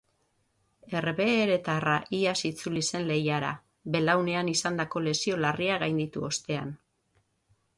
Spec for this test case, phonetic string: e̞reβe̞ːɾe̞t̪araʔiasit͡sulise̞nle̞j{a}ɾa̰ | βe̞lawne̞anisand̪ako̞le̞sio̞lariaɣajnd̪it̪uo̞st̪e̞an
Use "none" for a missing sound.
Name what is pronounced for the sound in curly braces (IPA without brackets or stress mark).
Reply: a